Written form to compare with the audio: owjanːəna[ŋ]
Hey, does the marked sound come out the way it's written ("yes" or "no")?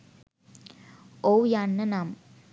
no